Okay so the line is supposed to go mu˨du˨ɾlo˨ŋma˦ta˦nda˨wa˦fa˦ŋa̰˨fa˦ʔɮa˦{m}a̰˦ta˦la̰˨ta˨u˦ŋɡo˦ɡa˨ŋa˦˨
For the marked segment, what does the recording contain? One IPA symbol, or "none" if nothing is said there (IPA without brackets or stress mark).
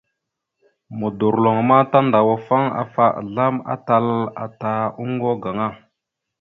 m